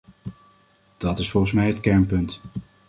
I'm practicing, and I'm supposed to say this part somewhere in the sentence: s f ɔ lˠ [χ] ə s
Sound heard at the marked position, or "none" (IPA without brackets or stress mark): χ